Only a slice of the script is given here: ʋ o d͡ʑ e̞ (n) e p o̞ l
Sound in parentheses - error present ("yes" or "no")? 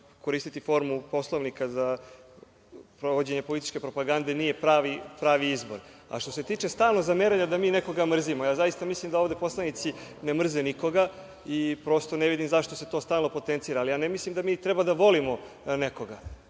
yes